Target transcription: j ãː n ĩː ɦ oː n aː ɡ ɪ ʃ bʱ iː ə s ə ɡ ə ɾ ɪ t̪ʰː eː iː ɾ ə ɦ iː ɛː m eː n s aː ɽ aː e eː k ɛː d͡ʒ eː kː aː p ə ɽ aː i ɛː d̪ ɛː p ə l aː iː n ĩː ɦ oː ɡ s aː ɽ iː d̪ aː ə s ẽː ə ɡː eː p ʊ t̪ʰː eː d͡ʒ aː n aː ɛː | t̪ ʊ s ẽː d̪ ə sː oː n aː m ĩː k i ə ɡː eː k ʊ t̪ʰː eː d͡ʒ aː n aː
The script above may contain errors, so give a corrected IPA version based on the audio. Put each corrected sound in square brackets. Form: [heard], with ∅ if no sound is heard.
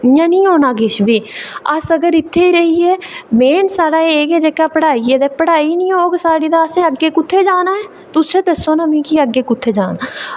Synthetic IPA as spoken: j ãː n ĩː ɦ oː n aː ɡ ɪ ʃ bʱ iː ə s ə ɡ ə ɾ ɪ t̪ʰː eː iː ɾ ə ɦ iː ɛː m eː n s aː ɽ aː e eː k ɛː d͡ʒ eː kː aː p ə ɽ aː i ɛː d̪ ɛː p ə [ɽ] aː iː n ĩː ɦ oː ɡ s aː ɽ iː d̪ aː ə s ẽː ə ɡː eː [k] ʊ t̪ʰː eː d͡ʒ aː n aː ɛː | t̪ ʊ s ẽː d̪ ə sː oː n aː m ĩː k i ə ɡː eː k ʊ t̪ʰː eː d͡ʒ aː n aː